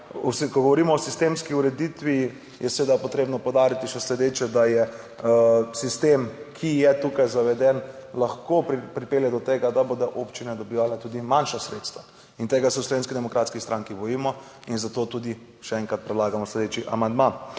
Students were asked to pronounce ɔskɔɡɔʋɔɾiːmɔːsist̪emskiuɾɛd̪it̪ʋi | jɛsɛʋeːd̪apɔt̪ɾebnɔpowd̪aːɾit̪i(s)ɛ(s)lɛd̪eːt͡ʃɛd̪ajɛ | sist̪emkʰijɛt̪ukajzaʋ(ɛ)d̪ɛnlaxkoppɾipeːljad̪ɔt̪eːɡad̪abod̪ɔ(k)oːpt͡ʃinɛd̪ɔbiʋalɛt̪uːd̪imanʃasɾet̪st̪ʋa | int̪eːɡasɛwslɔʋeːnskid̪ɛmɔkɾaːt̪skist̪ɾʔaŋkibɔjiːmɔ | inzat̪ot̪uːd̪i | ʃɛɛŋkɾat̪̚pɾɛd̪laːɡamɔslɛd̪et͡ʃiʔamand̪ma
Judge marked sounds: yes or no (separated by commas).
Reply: no, yes, yes, no